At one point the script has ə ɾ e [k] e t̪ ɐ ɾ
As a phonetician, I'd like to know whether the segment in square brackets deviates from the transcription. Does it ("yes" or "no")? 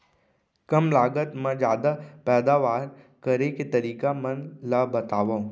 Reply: no